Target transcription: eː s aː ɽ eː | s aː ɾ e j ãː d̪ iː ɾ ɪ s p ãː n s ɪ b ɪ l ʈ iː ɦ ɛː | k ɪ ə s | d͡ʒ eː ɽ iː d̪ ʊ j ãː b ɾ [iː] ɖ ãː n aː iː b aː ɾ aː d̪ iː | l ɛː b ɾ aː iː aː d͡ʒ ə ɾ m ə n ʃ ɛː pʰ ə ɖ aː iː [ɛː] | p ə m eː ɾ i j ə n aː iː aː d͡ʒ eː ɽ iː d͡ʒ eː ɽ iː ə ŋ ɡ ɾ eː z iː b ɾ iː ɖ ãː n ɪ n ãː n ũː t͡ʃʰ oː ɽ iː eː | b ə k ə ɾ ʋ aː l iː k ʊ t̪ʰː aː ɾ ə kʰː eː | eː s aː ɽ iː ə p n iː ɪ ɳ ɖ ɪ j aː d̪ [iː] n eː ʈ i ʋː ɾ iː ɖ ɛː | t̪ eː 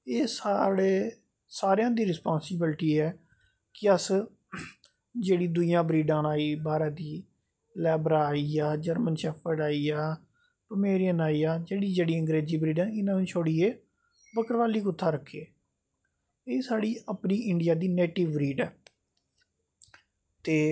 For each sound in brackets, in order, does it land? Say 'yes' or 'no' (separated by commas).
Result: yes, no, yes